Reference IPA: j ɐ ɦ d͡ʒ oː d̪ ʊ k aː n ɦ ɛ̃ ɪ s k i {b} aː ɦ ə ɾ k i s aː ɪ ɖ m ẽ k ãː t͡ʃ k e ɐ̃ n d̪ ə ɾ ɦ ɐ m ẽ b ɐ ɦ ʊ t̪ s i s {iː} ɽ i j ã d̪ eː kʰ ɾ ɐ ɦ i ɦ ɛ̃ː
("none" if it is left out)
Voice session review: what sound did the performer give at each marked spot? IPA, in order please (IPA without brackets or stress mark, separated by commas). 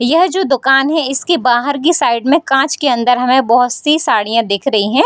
b, aː